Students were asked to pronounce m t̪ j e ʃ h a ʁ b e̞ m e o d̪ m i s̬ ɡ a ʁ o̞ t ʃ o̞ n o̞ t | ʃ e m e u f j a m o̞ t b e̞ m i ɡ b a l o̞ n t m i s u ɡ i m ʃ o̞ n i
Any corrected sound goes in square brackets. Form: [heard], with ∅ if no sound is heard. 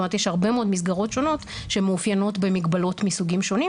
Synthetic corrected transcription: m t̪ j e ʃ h a ʁ b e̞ m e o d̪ m i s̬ ɡ a ʁ o̞ t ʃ o̞ n o̞ t | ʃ e m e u f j a [n] o̞ t b e̞ m i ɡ b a l o̞ [∅] t m i s u ɡ i m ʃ o̞ n i